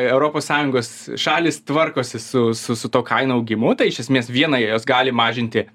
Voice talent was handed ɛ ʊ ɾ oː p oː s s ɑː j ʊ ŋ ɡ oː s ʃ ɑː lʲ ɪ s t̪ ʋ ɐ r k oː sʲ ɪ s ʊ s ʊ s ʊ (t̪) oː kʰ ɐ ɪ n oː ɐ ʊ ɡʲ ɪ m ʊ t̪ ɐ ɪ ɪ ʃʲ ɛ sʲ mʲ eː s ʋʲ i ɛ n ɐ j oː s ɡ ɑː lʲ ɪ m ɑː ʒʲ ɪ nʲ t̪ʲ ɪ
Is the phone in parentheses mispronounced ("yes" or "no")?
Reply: no